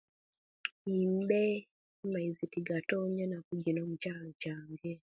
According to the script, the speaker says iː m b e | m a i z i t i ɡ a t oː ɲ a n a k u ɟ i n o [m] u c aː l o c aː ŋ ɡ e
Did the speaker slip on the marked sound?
no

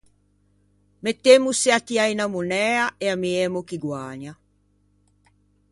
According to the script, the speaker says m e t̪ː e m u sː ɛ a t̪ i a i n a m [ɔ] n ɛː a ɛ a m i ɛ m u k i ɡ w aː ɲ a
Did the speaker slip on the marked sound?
yes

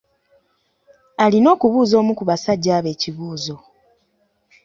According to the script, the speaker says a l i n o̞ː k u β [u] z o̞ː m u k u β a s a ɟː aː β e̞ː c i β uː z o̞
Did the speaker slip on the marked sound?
yes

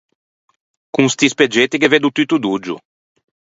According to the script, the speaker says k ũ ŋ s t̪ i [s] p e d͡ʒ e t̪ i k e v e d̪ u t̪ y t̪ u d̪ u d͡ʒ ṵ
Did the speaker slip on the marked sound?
no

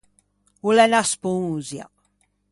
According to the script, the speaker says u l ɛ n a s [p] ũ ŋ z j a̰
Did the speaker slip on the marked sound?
no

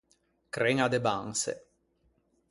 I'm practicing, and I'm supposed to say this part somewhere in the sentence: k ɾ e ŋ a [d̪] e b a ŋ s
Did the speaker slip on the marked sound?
no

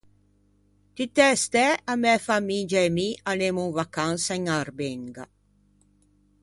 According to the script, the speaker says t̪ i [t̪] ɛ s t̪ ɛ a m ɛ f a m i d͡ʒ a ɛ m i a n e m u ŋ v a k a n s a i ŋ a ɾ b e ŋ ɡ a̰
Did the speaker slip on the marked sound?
no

